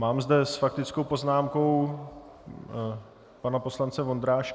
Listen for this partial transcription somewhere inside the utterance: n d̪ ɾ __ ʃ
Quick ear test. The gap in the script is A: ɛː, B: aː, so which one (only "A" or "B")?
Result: B